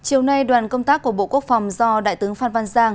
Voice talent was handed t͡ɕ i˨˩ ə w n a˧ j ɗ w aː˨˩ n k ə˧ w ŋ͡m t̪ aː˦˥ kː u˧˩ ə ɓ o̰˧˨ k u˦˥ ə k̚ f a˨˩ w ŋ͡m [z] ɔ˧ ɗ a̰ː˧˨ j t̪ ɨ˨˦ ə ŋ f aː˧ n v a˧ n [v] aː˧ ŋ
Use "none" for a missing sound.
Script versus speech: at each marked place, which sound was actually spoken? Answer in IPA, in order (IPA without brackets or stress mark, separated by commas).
z, z